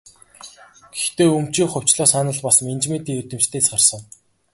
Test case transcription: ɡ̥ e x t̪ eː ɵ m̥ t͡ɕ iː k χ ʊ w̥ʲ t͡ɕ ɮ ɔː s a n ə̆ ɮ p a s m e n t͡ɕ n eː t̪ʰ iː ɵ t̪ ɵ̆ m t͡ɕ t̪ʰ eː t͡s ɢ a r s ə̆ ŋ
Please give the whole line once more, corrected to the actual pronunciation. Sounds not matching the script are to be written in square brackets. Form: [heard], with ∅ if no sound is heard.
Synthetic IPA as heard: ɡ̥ e x t̪ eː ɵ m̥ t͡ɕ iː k χ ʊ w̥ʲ t͡ɕ ɮ ɔː s a n ə̆ ɮ p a s m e n t͡ɕ [m] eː [t̪] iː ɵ t̪ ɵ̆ m t͡ɕ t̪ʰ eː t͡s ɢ a r s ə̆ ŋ